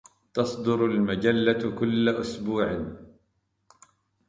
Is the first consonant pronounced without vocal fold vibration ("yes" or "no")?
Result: yes